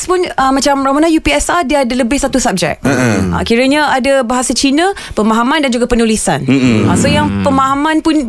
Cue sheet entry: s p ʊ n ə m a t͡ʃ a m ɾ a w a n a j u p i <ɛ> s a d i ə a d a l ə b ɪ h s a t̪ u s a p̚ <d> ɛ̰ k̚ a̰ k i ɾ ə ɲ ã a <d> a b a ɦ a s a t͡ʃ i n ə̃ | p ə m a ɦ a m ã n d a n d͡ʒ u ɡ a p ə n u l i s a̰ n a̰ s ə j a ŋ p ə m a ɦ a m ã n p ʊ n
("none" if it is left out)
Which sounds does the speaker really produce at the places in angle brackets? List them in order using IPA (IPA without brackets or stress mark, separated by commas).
ɛ, d͡ʒ, d